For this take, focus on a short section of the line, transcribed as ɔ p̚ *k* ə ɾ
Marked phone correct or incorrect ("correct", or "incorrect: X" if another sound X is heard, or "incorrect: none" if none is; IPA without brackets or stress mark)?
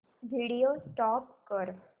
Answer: correct